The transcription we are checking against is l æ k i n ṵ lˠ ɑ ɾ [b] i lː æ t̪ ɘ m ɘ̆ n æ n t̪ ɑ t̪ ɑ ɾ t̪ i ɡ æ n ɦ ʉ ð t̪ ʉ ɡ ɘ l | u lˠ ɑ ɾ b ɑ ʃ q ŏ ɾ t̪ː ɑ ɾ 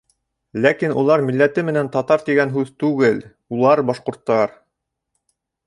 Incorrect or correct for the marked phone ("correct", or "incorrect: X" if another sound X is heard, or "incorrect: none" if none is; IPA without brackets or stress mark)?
incorrect: m